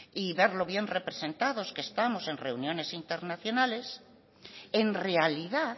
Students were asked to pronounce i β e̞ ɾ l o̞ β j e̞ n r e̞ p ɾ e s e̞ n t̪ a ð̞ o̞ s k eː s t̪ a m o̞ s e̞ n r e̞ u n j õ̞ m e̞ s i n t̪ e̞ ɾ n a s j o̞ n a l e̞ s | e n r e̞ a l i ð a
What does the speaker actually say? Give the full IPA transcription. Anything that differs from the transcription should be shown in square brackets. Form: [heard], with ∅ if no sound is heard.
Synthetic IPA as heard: i β e̞ ɾ l o̞ β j e̞ n r e̞ p ɾ e s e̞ n t̪ a ð̞ o̞ s k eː s t̪ a m o̞ s e̞ n r e̞ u n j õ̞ [n] e̞ s i n t̪ e̞ ɾ n a [θ] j o̞ n a l e̞ s | e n r e̞ a l i ð a